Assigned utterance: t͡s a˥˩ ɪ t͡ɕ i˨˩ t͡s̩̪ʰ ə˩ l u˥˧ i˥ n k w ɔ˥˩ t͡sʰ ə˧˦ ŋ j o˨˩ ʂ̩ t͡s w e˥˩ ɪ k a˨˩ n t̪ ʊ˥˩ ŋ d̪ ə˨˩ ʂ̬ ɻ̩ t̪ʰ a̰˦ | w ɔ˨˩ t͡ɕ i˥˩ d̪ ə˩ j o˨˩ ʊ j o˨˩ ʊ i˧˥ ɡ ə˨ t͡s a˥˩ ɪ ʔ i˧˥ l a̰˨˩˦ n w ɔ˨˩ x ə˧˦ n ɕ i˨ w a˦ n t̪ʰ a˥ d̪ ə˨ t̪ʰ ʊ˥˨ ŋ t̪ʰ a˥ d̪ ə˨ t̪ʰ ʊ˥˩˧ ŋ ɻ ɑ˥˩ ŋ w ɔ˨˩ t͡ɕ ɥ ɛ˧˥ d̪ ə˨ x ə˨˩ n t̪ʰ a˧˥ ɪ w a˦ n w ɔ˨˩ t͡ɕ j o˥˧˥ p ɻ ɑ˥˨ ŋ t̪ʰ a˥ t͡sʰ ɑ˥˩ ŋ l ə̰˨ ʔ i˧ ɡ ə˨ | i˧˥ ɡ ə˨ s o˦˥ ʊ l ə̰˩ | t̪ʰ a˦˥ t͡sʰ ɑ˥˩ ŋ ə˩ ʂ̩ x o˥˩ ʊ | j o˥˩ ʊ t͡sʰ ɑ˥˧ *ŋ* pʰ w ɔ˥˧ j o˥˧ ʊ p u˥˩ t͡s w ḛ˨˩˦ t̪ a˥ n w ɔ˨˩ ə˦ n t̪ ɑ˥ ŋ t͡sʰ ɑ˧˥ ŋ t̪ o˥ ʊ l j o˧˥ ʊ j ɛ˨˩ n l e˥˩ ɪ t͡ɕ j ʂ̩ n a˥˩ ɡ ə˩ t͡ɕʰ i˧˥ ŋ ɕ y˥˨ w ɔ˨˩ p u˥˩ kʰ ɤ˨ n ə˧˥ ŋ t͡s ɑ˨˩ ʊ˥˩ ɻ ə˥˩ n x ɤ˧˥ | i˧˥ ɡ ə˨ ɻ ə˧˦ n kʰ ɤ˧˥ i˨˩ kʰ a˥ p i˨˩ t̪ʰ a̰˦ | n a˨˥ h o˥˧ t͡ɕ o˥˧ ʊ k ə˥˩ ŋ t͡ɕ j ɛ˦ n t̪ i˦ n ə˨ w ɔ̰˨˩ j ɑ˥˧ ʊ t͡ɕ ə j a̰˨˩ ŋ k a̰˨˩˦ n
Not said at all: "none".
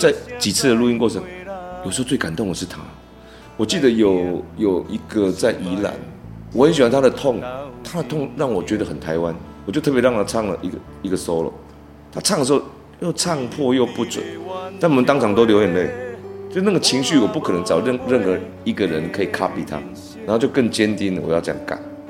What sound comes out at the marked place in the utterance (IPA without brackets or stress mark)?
ŋ